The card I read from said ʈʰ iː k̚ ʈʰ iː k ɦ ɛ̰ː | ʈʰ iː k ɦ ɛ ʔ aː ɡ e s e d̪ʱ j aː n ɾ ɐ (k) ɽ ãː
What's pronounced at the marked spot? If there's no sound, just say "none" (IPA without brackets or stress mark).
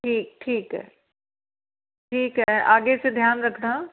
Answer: kʰ